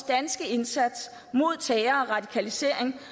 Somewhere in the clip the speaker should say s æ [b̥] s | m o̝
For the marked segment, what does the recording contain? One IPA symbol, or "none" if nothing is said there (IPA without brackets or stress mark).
d̥